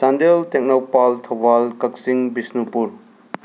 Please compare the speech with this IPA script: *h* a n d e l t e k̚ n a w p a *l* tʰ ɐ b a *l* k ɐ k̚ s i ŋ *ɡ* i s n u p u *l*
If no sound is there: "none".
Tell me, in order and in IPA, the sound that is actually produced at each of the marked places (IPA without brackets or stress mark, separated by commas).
s, l, l, b, ɾ